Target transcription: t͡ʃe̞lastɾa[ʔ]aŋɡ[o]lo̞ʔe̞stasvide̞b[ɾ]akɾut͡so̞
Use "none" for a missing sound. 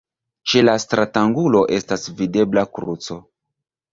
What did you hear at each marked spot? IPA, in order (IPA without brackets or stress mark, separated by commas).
t, u, l